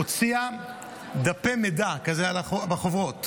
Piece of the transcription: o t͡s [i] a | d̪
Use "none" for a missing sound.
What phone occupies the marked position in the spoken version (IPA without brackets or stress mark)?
i